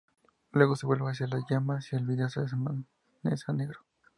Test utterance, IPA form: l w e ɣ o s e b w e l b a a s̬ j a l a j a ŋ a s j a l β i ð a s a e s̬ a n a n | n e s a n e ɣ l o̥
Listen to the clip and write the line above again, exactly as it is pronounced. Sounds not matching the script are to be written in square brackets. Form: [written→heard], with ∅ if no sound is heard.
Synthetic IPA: l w e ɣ o s e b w e l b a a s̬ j a l a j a [ŋ→m] a s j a l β i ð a s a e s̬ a [n→m] a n | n e s a n e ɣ [l→ɾ] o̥